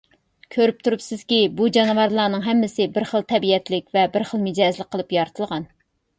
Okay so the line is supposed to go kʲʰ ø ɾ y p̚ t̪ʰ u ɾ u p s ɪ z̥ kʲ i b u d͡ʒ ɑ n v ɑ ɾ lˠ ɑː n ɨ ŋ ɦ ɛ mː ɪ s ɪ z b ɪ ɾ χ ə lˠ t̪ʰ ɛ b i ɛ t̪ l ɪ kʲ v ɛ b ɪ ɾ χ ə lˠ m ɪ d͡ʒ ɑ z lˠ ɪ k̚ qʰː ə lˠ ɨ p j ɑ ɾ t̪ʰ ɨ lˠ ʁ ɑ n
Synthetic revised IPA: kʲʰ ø ɾ y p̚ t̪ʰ u ɾ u p s ɪ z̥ kʲ i b u d͡ʒ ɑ n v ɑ ɾ lˠ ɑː n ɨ ŋ ɦ ɛ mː ɪ s ɪ b ɪ ɾ χ ə lˠ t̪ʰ ɛ b i ɛ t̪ l ɪ kʲ v ɛ b ɪ ɾ χ ə lˠ m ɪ d͡ʒ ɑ z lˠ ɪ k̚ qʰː ə lˠ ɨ p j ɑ ɾ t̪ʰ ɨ lˠ ʁ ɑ n